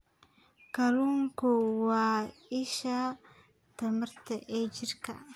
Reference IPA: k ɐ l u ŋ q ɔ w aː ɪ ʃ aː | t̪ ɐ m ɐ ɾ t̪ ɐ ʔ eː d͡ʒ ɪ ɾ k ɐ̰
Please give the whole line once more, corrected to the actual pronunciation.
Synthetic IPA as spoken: k ɐ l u ŋ k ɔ w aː ɪ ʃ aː | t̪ ɐ m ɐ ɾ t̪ ɐ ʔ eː d͡ʒ ɪ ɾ k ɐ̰